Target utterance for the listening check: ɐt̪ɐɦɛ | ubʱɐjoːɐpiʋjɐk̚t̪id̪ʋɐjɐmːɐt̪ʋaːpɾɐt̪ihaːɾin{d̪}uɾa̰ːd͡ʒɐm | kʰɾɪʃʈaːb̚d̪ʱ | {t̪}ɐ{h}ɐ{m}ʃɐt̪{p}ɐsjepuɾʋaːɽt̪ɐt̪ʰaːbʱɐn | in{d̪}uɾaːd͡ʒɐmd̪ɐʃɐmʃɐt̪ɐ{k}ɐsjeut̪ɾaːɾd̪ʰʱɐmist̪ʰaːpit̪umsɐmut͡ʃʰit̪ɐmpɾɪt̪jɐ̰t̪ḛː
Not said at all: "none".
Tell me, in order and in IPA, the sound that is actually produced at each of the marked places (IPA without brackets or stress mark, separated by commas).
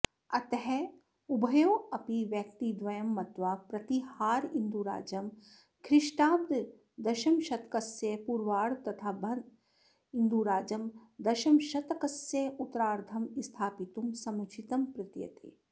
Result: d̪, d̪, ʃ, m, k, d̪, k